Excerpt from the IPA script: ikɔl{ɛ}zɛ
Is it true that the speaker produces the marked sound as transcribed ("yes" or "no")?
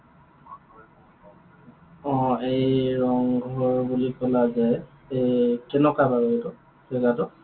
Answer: no